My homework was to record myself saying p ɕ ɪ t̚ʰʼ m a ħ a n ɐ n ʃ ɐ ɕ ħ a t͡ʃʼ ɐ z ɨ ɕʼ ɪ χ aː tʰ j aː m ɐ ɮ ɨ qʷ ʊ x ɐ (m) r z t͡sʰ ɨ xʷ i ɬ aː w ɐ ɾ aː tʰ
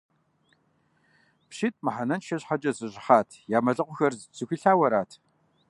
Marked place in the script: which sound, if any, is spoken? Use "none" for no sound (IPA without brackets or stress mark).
none